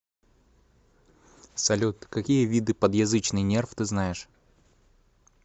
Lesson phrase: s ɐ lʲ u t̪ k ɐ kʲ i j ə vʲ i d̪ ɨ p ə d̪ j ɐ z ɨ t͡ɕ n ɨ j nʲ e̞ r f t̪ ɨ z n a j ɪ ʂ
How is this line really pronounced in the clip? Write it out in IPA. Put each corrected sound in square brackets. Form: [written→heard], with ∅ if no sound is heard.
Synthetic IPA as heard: s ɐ lʲ u t̪ k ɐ kʲ i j ə vʲ i d̪ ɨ p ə d̪ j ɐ z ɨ t͡ɕ n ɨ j nʲ e̞ r f t̪ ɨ z n a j ɪ ʂ